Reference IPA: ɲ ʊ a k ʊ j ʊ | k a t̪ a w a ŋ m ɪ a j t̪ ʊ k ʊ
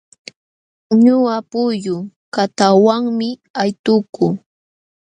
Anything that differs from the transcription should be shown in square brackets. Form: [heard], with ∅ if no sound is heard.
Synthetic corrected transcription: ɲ ʊ a [p] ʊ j ʊ | k a t̪ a w a ŋ m ɪ a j t̪ ʊ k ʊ